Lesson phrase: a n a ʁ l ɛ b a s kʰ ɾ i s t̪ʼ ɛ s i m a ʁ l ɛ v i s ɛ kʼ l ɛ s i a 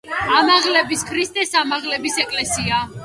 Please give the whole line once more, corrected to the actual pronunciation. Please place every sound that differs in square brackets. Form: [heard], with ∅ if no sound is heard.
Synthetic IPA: a [m] a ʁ l ɛ b [i] s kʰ ɾ i s t̪ʼ ɛ s [a] m a ʁ l ɛ [b] i s ɛ kʼ l ɛ s i a